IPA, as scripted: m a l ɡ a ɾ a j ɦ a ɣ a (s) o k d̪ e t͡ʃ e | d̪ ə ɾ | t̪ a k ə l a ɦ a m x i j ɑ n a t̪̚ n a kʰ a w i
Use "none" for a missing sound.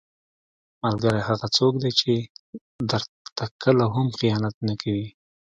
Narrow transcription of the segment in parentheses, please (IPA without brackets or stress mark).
t͡s